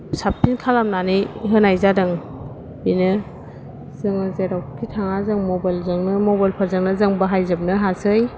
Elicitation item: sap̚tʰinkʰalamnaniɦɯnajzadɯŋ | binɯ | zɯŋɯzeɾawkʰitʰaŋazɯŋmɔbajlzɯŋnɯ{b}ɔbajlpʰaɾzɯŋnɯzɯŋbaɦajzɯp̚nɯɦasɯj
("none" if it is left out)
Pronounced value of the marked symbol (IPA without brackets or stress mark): m